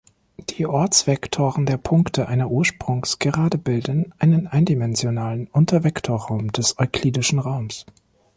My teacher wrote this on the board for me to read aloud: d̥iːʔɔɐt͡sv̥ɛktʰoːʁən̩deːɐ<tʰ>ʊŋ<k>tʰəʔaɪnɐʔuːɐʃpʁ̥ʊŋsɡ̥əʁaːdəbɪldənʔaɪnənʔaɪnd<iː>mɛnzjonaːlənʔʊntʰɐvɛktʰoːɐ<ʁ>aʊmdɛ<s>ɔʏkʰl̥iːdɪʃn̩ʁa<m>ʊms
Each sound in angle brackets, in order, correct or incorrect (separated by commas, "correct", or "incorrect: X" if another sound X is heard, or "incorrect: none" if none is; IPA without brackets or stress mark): incorrect: pʰ, correct, incorrect: i, correct, correct, incorrect: none